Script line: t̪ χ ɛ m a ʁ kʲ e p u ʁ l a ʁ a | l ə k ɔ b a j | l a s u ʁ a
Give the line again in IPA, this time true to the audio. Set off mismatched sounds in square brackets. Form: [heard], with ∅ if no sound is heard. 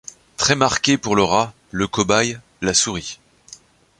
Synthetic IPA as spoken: t̪ χ ɛ m a ʁ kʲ e p u ʁ l [ə] ʁ a | l ə k ɔ b a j | l a s u ʁ [i]